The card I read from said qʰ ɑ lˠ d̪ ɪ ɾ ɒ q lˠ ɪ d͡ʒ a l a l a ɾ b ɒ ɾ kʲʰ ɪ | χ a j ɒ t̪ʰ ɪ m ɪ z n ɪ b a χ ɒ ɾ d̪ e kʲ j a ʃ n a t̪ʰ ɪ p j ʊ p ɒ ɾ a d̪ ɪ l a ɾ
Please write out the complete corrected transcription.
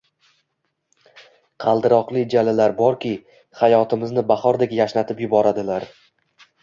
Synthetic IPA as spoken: qʰ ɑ lˠ d̪ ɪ ɾ ɒ q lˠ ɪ d͡ʒ a l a l a ɾ b ɒ ɾ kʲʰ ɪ | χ a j ɒ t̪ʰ ɪ m ɪ z n ɪ b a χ ɒ ɾ d̪ e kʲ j a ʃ n a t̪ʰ ɪ p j ʊ b ɒ ɾ a d̪ ɪ l a ɾ